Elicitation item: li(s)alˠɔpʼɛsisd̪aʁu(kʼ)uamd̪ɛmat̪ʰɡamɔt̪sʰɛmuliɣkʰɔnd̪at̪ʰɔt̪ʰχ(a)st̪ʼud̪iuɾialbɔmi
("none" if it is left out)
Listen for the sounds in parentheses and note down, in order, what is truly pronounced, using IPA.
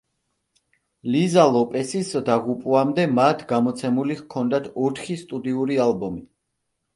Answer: z, pʼ, i

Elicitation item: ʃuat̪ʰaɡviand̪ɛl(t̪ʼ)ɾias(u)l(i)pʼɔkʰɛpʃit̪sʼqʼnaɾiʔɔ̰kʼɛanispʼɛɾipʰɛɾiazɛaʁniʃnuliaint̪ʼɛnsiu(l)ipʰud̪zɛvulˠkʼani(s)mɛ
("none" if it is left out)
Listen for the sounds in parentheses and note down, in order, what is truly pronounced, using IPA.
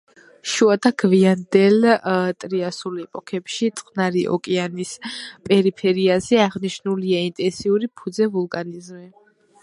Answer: t̪ʼ, u, ɛ, ɾ, z

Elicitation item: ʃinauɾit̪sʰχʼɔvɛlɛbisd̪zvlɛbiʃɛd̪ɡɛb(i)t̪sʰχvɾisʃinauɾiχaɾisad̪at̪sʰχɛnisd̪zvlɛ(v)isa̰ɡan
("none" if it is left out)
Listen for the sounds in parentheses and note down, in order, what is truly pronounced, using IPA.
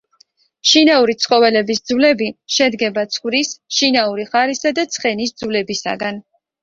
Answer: a, b

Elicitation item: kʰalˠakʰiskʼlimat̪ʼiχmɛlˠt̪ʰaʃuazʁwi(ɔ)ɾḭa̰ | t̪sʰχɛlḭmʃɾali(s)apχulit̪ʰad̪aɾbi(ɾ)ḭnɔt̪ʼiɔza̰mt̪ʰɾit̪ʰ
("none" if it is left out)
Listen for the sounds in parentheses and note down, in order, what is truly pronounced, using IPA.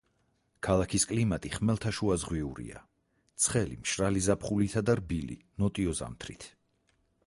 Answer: u, z, l

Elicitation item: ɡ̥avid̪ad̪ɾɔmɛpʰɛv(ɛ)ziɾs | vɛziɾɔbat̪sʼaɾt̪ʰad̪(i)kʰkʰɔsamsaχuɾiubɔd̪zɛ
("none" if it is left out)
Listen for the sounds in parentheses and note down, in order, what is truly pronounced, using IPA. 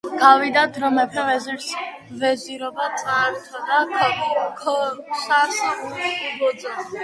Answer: ɛ, a

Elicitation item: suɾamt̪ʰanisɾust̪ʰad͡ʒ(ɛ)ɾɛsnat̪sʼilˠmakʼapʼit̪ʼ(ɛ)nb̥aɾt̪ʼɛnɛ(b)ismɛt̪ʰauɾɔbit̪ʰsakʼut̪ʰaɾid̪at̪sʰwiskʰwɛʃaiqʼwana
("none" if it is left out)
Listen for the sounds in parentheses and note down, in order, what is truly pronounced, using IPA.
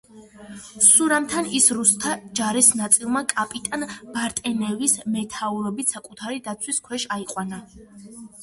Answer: a, a, v

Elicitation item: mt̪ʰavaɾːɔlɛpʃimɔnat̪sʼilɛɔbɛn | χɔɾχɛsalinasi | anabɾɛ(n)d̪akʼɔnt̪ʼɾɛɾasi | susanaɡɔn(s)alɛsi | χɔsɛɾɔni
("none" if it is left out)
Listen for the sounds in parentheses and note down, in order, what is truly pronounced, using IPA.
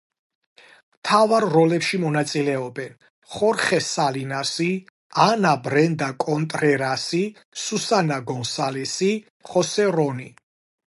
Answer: n, s

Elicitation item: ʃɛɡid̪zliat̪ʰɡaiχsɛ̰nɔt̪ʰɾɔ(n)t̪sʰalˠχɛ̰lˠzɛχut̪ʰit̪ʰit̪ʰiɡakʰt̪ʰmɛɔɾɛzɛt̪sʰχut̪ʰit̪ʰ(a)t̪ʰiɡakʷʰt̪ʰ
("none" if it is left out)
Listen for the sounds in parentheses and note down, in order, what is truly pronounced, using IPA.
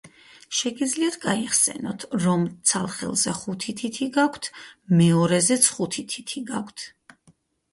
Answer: m, i

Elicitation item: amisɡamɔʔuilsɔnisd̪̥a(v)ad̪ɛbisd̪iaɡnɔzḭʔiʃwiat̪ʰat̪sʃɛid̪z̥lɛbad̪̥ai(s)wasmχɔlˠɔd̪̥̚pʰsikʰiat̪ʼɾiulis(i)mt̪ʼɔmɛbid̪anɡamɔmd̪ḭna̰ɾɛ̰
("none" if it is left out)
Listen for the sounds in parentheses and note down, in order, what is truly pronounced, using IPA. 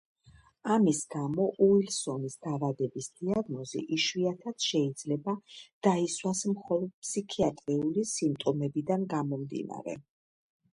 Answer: v, s, i

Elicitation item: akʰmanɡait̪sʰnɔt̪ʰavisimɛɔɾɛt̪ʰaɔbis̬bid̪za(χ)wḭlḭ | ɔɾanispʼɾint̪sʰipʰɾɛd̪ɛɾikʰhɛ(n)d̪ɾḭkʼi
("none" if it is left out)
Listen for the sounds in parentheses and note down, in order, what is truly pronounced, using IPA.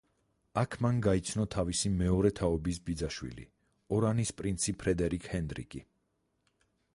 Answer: ʃ, n

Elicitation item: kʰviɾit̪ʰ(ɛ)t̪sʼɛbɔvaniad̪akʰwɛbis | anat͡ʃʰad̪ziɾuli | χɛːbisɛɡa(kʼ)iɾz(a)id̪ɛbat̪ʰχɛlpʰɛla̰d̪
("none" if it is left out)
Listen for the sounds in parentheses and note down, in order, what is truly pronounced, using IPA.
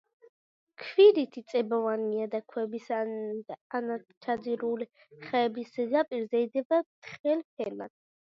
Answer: i, pʼ, ɛ

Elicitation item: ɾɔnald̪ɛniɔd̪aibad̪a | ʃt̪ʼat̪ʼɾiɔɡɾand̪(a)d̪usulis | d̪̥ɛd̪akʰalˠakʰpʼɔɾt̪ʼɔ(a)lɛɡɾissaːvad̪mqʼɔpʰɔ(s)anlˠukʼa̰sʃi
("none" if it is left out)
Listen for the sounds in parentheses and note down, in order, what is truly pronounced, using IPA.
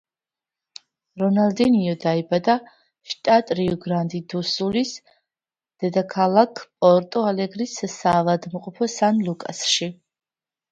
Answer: i, a, s

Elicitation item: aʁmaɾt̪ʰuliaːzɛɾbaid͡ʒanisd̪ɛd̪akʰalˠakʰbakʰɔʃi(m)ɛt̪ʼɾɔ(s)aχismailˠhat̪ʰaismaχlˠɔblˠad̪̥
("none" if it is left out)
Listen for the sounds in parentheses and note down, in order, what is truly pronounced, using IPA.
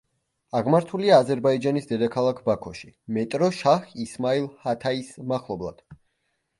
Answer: m, ʃ

